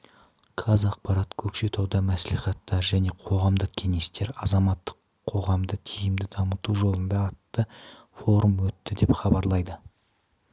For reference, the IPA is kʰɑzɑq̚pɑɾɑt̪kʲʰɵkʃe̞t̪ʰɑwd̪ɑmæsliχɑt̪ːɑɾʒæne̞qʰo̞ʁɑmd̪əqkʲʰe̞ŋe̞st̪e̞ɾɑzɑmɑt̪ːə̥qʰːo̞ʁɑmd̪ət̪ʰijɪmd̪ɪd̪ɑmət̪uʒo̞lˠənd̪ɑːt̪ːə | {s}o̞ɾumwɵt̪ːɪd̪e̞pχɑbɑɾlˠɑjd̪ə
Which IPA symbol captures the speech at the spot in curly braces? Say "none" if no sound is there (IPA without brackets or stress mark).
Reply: f